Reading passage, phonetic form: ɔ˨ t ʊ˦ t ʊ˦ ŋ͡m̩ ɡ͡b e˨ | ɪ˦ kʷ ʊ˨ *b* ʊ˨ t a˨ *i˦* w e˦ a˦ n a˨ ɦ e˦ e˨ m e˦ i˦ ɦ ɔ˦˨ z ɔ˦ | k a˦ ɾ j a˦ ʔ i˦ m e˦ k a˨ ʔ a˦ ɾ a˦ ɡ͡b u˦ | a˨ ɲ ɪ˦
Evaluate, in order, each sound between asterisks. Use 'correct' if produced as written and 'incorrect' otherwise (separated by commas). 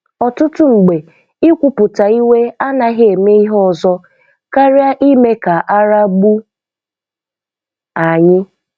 incorrect, correct